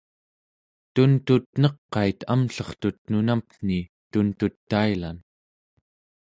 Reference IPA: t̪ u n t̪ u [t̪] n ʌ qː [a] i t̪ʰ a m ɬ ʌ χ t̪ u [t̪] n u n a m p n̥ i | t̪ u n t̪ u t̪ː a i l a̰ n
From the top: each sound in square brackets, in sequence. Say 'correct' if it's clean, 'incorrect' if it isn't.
correct, incorrect, correct

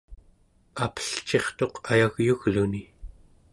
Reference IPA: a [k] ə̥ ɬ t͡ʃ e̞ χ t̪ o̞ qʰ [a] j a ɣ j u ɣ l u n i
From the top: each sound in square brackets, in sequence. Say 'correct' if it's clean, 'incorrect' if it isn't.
incorrect, correct

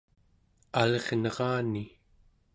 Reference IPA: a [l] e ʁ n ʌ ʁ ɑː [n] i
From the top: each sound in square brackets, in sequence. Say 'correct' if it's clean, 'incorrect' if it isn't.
correct, correct

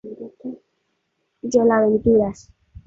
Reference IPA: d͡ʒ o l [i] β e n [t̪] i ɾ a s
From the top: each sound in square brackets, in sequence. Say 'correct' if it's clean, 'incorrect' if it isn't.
incorrect, correct

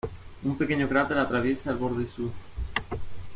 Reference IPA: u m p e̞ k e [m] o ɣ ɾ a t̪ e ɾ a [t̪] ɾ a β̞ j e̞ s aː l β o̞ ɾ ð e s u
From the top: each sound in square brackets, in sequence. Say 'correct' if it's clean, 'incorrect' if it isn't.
incorrect, correct

